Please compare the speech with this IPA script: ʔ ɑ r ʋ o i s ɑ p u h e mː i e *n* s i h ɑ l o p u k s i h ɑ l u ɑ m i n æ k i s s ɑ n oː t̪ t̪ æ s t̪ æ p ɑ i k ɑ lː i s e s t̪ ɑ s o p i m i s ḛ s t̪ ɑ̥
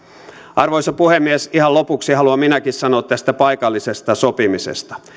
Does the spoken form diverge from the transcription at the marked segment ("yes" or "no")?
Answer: yes